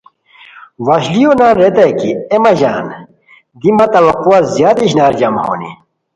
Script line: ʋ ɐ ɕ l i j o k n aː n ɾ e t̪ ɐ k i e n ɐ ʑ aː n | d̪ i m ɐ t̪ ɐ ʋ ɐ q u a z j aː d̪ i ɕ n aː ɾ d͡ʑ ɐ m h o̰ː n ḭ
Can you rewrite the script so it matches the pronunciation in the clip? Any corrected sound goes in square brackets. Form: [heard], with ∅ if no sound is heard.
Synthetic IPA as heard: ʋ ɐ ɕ l i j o [∅] n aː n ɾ e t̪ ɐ k i e [m] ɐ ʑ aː n | d̪ i m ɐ t̪ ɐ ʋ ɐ q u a z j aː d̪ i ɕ n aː ɾ d͡ʑ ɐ m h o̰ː n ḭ